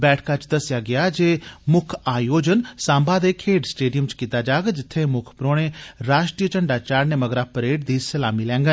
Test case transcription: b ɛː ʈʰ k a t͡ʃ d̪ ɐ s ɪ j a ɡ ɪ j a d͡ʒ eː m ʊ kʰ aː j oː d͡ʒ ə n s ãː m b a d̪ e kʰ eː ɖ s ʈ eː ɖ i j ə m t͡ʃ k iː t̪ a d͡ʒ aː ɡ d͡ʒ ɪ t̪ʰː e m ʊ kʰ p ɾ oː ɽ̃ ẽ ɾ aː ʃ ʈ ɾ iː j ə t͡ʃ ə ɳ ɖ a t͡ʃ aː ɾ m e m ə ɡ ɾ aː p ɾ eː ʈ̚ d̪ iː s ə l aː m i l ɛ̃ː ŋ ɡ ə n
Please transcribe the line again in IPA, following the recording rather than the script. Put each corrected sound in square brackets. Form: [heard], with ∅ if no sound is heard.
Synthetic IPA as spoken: b ɛː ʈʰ k a t͡ʃ d̪ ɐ s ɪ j a ɡ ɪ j a d͡ʒ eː m ʊ kʰ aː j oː d͡ʒ ə n s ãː m b a d̪ e kʰ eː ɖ s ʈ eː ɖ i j ə m t͡ʃ k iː t̪ a d͡ʒ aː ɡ d͡ʒ ɪ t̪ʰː e m ʊ kʰ p ɾ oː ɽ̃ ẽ ɾ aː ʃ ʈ ɾ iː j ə t͡ʃ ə ɳ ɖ a t͡ʃ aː ɾ [n] e m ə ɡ ɾ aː p ɾ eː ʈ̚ d̪ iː s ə l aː m i l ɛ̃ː ŋ ɡ ə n